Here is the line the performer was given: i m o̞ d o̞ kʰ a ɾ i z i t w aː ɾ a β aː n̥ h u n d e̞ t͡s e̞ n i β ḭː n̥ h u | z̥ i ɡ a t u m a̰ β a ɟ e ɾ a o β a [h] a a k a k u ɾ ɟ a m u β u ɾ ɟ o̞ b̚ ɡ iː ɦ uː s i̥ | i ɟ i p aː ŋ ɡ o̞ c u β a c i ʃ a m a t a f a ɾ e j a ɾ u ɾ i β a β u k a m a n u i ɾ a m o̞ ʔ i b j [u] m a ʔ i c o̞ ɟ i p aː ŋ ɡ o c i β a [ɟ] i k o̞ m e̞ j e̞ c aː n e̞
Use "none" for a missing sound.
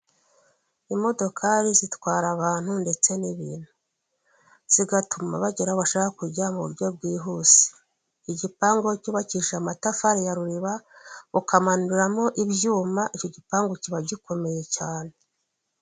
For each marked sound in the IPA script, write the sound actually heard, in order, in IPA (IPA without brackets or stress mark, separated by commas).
ʃ, uː, ɟ